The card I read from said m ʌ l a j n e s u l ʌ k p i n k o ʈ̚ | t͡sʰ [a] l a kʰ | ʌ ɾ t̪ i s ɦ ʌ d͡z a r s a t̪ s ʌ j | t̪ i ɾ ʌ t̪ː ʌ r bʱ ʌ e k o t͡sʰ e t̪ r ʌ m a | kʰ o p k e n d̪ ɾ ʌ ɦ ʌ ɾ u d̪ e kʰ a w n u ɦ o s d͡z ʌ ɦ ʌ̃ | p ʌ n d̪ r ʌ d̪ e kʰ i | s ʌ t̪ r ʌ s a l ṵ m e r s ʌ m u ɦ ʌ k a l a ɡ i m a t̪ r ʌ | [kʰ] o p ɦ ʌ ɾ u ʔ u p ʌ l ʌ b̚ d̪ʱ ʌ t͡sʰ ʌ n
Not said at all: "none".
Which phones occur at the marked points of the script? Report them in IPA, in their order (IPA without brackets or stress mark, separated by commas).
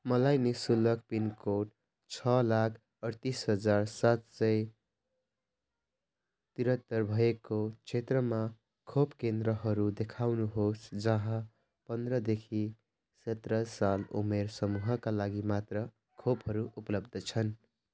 ʌ, kʰ